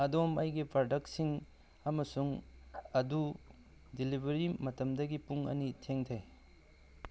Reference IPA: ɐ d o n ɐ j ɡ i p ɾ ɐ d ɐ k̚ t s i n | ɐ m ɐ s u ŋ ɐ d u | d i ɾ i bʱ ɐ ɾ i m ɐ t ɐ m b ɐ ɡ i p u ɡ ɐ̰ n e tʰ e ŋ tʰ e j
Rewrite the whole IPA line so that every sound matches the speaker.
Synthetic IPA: ɐ d o m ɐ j ɡ i p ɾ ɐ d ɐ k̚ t s i ŋ | ɐ m ɐ s u ŋ ɐ d u | d i l i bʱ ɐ ɾ i m ɐ t ɐ m d ɐ ɡ i p u ŋ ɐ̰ n i tʰ e ŋ tʰ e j